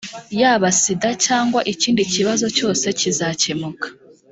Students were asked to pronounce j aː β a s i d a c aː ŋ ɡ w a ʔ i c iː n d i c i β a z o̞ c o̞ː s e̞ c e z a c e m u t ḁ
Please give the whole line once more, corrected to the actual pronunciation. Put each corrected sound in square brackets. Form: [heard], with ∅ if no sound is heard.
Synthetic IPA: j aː β a s i d a c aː ŋ ɡ w a ʔ i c iː n d i c i β a z o̞ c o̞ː s e̞ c [i] z a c e m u [k] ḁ